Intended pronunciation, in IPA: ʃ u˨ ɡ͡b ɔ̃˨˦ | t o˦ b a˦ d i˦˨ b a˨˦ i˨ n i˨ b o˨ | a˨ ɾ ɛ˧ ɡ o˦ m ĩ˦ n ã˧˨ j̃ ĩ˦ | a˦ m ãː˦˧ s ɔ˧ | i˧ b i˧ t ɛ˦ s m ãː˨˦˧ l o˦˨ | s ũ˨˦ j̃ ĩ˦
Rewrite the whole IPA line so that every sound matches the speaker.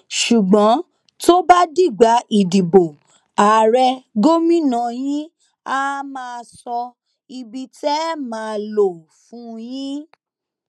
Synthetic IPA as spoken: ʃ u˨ ɡ͡b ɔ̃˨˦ | t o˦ b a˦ d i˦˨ ɡ͡b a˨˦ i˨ d i˨ b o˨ | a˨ ɾ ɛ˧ ɡ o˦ m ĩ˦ n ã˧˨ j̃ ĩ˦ | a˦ m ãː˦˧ s ɔ˧ | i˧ b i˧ t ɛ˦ m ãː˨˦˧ l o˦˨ | f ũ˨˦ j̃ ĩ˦